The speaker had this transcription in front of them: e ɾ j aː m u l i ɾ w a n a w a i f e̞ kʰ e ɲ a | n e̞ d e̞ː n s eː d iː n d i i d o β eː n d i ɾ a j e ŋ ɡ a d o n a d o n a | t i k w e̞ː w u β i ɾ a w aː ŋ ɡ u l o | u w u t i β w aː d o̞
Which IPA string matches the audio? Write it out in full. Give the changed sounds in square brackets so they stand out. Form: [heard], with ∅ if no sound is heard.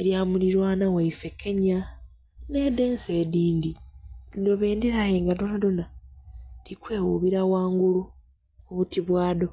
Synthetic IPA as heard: e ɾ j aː m u l i ɾ w a n a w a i f e̞ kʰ e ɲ a | n e̞ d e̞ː n s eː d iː n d i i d o β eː n d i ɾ a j e ŋ ɡ a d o n a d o n a | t i k w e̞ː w u β i ɾ a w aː ŋ ɡ u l [u] | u [β] u t i β w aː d o̞